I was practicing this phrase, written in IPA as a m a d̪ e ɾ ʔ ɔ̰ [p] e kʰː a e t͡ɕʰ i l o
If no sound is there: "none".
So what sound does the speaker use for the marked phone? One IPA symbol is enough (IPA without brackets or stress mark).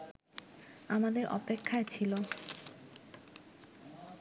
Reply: p